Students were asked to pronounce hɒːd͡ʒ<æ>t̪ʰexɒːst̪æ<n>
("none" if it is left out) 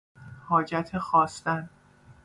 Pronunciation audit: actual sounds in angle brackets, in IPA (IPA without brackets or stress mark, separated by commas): æ, n